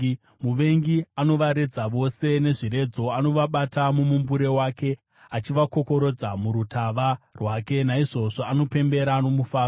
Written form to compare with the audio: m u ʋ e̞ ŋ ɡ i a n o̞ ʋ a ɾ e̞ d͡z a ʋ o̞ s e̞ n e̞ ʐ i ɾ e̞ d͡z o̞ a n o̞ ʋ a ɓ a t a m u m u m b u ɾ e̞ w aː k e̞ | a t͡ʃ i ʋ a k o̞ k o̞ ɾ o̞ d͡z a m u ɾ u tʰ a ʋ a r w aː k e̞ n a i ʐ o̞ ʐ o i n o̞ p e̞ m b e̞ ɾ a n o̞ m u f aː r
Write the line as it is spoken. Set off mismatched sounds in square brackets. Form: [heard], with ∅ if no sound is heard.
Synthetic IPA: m u ʋ e̞ ŋ ɡ i a n o̞ ʋ a ɾ e̞ d͡z a ʋ o̞ s e̞ n e̞ ʐ i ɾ e̞ d͡z o̞ a n o̞ ʋ a ɓ a t a m u m u m b u ɾ e̞ w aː k e̞ | a t͡ʃ i ʋ a k o̞ k o̞ ɾ o̞ d͡z a m u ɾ u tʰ a ʋ a r w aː k e̞ n a i ʐ o̞ ʐ o [a] n o̞ p e̞ m b e̞ ɾ a n o̞ m u f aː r